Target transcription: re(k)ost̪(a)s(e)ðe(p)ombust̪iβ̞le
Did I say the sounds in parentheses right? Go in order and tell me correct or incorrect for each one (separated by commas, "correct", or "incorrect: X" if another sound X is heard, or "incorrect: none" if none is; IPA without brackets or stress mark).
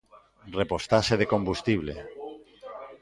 incorrect: p, correct, correct, incorrect: k